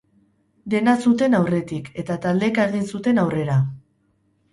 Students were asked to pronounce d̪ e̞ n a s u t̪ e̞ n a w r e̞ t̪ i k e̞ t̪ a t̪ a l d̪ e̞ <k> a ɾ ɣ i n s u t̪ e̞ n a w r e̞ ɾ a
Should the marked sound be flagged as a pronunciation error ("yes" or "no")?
no